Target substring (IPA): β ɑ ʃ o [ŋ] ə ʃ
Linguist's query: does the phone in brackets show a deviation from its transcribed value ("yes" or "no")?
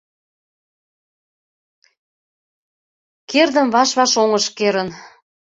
no